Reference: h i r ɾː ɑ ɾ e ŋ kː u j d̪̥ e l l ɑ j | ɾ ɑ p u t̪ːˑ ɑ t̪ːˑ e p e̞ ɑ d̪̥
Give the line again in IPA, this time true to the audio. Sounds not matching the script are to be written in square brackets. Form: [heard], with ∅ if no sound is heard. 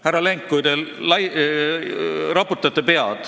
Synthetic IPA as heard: h [æ] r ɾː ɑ [l] e ŋ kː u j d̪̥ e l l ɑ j | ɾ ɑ p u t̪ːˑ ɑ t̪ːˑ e p e̞ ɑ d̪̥